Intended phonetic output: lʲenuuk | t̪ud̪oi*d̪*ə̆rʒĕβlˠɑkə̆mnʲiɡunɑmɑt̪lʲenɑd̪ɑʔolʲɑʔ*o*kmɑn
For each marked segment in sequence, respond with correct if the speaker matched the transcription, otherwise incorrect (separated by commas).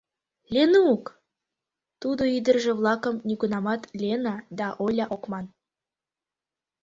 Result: correct, correct